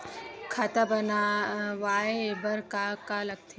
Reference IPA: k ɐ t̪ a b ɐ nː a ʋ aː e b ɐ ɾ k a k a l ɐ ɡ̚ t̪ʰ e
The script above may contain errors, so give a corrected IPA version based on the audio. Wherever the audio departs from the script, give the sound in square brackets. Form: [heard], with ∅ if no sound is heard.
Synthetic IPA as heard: [kʰ] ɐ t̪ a b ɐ [n] a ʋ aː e b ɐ ɾ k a k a l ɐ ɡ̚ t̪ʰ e